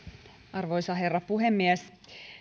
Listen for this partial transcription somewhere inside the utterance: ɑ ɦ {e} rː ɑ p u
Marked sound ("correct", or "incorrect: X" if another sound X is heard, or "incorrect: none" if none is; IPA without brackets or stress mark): correct